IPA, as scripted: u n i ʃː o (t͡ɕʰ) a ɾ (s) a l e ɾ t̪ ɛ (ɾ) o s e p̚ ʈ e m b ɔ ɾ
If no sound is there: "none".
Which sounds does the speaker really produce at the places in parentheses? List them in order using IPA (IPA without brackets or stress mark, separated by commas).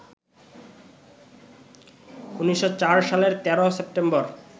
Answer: t͡ɕ, ʃ, ɾ